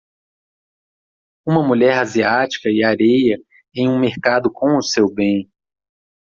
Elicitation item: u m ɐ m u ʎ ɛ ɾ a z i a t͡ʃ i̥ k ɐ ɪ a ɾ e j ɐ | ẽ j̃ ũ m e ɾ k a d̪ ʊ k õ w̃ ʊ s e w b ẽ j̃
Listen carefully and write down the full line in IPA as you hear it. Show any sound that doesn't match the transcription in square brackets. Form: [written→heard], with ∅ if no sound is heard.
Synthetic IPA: [u→ũ] m ɐ m u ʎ ɛ ɾ a z i a t͡ʃ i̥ k ɐ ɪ a ɾ e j ɐ | ẽ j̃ ũ m e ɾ k a d̪ ʊ k õ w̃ ʊ s e w b ẽ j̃